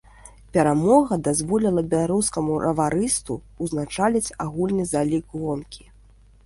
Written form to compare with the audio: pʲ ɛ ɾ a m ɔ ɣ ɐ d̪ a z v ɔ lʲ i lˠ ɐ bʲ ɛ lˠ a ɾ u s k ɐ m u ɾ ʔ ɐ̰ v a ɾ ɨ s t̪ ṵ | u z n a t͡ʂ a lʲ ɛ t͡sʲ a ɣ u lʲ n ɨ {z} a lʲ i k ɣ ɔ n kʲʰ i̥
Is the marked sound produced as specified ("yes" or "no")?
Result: yes